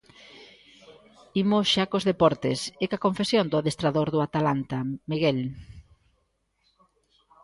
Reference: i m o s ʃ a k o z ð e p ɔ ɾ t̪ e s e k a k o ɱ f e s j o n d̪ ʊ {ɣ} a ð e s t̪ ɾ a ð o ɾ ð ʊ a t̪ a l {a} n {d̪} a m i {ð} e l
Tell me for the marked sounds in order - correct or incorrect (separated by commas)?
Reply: incorrect, correct, incorrect, incorrect